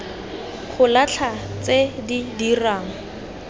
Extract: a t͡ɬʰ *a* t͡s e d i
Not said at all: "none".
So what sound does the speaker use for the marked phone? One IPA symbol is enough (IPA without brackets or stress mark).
a